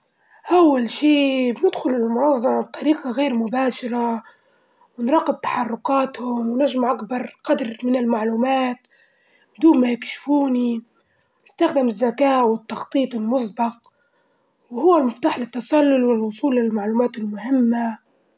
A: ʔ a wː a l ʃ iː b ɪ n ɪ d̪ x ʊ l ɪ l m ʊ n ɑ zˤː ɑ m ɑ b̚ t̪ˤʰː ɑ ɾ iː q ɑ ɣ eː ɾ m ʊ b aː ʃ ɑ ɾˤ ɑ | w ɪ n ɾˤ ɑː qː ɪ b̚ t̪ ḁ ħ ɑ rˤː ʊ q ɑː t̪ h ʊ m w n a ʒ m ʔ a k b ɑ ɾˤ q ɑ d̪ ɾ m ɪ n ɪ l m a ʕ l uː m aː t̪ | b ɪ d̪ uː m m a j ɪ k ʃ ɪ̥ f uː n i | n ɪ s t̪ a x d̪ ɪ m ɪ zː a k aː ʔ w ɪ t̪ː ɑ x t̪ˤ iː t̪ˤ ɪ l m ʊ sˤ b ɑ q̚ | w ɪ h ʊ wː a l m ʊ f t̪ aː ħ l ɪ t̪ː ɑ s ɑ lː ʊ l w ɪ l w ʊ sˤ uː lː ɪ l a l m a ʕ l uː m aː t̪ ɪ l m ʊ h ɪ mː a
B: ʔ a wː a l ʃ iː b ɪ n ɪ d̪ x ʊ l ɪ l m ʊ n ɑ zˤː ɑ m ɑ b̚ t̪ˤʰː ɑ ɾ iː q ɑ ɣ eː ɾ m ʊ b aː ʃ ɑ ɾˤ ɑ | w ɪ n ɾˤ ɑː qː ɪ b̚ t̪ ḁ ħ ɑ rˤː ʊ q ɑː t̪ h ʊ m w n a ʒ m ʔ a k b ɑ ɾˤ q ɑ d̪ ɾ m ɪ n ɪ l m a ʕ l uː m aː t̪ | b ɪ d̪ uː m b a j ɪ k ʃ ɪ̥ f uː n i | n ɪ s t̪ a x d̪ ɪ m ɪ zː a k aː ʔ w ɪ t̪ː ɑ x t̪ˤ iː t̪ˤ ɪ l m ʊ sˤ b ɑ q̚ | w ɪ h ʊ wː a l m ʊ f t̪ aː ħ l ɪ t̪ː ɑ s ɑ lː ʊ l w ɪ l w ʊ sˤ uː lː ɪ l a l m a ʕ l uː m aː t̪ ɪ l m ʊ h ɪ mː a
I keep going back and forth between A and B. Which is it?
A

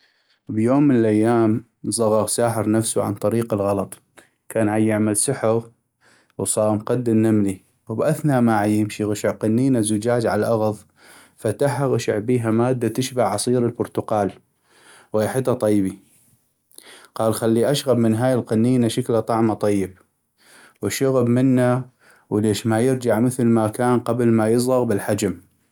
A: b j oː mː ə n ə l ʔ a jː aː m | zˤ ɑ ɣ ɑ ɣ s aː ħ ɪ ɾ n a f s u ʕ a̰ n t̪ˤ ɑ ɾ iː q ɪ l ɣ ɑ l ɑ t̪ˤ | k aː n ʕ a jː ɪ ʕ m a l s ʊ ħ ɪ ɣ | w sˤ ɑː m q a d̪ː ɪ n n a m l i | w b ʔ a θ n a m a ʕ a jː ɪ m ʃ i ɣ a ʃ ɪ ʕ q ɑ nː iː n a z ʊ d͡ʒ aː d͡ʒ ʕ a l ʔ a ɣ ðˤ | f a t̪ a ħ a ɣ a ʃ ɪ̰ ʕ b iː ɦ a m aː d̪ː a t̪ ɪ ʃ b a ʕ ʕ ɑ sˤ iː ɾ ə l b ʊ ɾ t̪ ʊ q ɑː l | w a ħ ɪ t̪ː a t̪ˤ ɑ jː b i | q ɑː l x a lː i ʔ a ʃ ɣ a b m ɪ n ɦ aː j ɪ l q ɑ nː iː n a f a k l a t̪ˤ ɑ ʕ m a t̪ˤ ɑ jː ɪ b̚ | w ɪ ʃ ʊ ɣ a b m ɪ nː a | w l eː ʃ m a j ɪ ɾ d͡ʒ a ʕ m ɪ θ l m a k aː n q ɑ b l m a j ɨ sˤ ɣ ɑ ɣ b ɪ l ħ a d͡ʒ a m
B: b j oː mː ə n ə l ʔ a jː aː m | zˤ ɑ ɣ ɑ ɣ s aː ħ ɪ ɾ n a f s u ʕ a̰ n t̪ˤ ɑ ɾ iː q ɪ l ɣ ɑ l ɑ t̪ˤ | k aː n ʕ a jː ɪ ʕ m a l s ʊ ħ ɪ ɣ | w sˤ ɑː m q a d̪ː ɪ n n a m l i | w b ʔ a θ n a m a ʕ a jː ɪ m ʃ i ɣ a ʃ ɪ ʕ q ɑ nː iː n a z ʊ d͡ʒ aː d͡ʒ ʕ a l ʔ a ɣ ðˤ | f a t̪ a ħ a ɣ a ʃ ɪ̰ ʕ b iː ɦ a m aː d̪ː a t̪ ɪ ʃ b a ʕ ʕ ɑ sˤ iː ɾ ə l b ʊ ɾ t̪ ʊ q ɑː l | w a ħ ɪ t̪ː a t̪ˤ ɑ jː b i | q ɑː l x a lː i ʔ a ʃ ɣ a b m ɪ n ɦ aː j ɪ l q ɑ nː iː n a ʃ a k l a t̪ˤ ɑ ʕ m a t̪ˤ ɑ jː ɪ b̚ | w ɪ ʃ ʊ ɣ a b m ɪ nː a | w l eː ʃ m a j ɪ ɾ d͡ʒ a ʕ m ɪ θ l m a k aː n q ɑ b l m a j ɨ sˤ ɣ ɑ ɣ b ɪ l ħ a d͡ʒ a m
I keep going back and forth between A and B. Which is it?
B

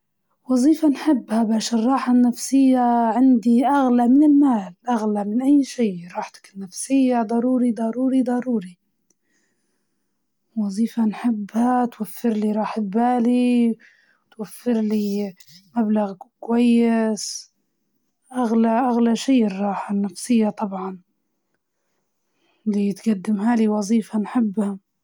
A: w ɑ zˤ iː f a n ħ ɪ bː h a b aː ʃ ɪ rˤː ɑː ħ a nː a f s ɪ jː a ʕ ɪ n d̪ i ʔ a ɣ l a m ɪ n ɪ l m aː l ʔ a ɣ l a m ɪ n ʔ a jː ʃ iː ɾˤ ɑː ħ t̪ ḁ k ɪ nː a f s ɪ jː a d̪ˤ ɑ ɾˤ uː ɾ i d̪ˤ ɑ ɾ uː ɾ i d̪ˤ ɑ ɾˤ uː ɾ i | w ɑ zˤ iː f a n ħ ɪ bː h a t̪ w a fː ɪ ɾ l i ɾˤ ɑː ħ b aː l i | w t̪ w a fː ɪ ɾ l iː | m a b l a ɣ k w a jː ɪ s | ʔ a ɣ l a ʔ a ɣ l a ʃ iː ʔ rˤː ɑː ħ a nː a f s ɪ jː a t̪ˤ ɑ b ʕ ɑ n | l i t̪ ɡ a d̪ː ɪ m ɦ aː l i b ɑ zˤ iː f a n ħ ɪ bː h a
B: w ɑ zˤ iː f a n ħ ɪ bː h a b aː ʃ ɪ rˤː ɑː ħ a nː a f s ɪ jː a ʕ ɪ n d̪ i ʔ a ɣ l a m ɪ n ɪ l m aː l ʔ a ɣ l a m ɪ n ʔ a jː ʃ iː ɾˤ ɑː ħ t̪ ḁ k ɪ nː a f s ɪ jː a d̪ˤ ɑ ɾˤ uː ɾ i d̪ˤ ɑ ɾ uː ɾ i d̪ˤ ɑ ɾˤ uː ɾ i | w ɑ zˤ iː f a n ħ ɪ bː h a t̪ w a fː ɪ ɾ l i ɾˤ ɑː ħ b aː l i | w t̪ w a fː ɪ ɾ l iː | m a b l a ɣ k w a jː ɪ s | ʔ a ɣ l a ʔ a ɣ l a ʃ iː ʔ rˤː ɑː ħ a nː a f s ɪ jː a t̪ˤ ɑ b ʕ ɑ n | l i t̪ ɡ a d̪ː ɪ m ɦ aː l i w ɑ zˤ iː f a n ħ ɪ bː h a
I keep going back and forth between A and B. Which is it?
B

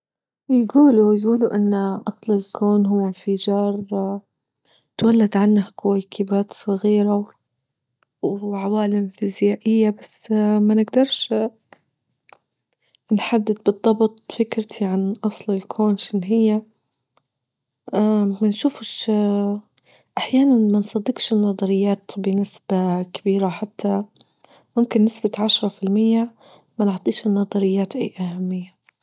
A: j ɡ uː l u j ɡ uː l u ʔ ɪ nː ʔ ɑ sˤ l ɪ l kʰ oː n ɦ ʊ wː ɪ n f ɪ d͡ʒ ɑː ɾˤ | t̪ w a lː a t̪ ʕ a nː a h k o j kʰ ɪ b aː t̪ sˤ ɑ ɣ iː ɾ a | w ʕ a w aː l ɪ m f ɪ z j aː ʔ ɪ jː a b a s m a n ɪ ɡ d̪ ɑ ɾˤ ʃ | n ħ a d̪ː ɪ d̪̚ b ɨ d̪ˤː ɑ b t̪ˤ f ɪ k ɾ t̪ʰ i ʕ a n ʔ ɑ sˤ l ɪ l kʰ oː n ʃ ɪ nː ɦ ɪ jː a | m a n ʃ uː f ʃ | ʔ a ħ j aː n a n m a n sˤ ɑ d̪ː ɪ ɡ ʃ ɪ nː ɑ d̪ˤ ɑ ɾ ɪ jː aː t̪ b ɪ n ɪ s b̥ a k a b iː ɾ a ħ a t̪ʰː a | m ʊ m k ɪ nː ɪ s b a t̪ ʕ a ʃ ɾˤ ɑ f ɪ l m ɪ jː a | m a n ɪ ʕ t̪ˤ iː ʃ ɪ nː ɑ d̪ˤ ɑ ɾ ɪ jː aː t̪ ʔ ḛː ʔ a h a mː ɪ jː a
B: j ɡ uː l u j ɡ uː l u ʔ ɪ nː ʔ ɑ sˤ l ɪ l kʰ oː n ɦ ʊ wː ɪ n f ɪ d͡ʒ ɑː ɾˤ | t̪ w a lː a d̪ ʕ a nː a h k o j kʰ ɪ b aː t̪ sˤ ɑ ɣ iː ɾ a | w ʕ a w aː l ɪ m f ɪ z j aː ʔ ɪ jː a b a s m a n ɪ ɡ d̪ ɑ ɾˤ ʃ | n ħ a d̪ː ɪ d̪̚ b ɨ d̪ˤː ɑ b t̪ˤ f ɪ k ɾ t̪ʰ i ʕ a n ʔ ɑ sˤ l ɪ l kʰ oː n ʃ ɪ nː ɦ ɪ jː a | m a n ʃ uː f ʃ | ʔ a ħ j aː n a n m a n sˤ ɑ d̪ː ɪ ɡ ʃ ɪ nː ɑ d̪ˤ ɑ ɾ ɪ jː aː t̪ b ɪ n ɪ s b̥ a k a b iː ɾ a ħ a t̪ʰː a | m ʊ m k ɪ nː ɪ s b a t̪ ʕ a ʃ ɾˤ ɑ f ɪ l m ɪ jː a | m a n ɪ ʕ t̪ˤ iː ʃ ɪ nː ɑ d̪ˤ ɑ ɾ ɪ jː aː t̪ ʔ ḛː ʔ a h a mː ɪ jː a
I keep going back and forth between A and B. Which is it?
B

